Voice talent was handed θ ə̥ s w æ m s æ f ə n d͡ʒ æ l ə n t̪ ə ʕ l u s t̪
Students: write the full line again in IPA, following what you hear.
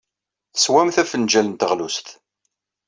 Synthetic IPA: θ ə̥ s w æ m θ æ f ə n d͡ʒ æ l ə n t̪ ə ʁ l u s t̪